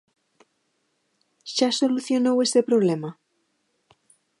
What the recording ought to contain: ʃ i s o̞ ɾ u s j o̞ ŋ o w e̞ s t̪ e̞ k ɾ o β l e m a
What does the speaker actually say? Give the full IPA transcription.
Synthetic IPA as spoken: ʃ a s o̞ l u θ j o̞ n o w e̞ s t̪ e̞ p ɾ o β l e m a